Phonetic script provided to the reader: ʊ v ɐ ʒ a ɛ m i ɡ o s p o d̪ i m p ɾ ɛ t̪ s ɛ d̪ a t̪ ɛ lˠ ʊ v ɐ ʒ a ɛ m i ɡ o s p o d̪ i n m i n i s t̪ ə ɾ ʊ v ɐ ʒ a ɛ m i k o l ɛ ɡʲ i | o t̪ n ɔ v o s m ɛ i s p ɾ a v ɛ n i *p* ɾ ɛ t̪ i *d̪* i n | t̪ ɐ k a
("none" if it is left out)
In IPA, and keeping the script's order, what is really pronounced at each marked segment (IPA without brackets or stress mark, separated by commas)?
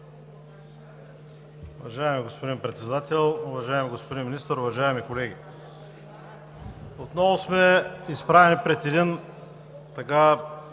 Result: p, d̪